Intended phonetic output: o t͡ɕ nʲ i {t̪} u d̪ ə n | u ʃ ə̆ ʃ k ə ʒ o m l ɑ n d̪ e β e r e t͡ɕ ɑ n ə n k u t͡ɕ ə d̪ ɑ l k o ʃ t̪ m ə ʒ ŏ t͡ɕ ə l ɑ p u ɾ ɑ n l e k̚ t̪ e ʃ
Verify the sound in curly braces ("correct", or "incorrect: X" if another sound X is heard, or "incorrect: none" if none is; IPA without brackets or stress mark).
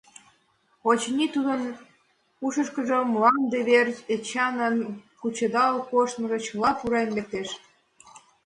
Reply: correct